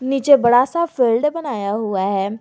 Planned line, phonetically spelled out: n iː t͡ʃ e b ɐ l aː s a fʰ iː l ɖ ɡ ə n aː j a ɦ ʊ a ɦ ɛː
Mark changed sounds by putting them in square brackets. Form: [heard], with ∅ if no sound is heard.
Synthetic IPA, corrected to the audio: n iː t͡ʃ e b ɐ [ɽ] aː s a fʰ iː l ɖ [b] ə n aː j a ɦ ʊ a ɦ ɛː